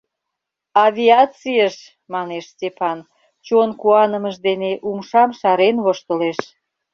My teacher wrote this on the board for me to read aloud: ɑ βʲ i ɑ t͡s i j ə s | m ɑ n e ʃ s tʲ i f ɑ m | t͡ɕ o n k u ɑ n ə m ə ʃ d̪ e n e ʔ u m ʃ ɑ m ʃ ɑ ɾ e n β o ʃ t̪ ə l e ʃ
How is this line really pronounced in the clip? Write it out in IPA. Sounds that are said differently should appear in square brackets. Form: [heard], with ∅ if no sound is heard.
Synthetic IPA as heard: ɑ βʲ i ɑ t͡s i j ə [ʃ] | m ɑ n e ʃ s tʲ [e] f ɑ [n] | t͡ɕ o n k u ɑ n ə m ə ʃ d̪ e n e ʔ u m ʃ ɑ m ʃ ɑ ɾ e n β o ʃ t̪ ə l e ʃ

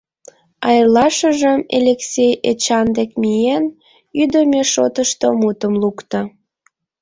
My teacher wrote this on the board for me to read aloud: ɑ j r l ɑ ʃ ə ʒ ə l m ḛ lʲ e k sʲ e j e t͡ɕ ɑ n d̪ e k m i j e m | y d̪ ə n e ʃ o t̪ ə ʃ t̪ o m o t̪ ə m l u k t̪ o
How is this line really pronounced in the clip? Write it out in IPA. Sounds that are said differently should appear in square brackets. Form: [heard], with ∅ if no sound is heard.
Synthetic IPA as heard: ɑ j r l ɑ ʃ ə ʒ ə [∅] m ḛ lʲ e k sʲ e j e t͡ɕ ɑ n d̪ e k m i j e [n] | y d̪ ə [m] e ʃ o t̪ ə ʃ t̪ o m [u] t̪ ə m l u k t̪ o

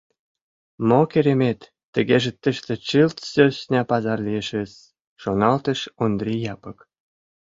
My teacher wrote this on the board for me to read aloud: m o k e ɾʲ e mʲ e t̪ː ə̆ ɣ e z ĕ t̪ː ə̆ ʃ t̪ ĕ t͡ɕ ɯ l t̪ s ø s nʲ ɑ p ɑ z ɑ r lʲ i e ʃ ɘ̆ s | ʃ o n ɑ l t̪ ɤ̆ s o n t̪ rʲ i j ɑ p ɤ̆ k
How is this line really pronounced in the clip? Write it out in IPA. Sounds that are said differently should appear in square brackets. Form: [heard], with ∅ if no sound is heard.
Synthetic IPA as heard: m o k e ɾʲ e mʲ e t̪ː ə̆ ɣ e [ʒ] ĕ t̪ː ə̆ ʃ t̪ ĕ t͡ɕ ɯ l t̪ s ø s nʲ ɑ p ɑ z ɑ r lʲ i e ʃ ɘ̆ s | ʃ o n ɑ l t̪ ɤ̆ [ʃ] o n [d̪] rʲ i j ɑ p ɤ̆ k

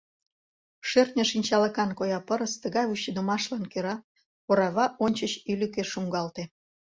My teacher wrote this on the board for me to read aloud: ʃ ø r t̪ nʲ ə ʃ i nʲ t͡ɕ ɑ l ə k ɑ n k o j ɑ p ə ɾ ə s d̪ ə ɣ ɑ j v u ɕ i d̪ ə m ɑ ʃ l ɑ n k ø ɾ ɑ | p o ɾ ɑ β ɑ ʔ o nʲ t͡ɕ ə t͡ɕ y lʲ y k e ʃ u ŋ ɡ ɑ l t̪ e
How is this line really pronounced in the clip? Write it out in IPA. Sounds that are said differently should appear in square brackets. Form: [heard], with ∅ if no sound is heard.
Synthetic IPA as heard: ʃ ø r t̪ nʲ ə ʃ i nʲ t͡ɕ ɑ l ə k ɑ n k o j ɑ p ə ɾ ə s [t̪] ə ɣ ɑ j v u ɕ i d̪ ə m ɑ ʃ l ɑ n k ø ɾ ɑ | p o ɾ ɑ β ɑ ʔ o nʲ t͡ɕ ə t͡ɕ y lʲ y k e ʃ u ŋ ɡ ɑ l t̪ e

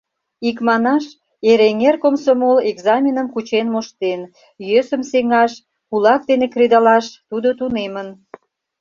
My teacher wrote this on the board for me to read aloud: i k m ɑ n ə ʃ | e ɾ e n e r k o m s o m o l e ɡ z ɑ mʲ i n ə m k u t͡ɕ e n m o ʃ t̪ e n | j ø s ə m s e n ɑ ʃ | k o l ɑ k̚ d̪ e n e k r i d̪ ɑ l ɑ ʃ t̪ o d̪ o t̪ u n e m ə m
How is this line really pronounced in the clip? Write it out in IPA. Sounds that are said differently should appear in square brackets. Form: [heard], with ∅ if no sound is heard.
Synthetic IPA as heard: i k m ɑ n [ɑ] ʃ | e ɾ e [ŋ] e r k o m s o m o l e ɡ z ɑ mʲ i n ə m k u t͡ɕ e n m o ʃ t̪ e n | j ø s ə m s e [ŋ] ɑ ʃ | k [u] l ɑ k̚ d̪ e n e k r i d̪ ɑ l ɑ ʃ t̪ [u] d̪ o t̪ u n e m ə [n]

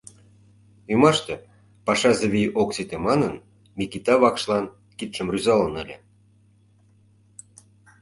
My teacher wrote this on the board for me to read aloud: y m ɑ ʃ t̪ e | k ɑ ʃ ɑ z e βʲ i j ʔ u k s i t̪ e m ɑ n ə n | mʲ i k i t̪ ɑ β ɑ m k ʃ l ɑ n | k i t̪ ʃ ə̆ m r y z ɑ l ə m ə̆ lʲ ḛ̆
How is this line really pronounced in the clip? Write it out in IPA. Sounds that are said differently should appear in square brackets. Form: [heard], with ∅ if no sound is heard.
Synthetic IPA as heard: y m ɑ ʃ t̪ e | [p] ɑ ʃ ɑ z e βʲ i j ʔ [o] k s i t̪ e m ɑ n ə n | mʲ i k i t̪ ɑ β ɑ [∅] k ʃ l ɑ n | k i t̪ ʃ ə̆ m r y z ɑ l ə [n] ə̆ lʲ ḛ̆

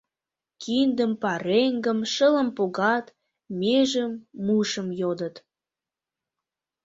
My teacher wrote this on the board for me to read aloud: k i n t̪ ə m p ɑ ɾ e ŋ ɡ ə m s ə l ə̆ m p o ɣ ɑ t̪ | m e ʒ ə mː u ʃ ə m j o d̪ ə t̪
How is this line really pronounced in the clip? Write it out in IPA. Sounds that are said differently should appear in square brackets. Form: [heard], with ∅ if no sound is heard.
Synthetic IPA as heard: k i n [d̪] ə m p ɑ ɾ e ŋ ɡ ə m [ʃ] ə l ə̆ m p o ɣ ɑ t̪ | m e ʒ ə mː u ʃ ə m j o d̪ ə t̪

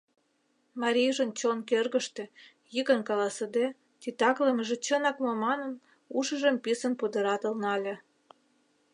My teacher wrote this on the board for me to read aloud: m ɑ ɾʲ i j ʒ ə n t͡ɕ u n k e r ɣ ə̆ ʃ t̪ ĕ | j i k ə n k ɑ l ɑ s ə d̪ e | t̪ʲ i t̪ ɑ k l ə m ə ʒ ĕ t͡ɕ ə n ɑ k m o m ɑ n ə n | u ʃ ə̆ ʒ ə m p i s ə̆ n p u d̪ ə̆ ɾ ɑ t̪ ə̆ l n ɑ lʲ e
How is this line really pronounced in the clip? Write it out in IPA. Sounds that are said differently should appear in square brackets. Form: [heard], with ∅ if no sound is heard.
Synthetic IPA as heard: m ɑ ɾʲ i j ʒ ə n t͡ɕ [o] n k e r ɣ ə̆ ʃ t̪ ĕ | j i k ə n k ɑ l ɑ s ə d̪ e | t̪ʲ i t̪ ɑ k l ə m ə ʒ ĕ t͡ɕ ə n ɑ k m o m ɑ n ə n | u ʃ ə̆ ʒ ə m p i s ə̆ n p u d̪ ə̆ ɾ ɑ t̪ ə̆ l n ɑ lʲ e

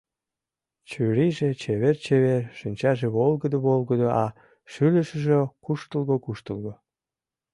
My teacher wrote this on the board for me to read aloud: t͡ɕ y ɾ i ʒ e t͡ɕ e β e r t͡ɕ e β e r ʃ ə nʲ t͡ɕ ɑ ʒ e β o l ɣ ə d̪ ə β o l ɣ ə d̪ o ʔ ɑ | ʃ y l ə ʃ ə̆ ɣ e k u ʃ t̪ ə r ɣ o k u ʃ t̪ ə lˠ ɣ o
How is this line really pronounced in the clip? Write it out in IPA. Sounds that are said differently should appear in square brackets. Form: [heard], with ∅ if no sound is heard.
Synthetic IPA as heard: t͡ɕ y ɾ i ʒ e t͡ɕ e β e r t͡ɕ e β e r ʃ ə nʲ t͡ɕ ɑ ʒ e β o l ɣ ə d̪ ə β o l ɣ ə d̪ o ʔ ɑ | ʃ y l ə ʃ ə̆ [ʒ] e k u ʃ t̪ ə [l] ɣ o k u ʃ t̪ ə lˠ ɣ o

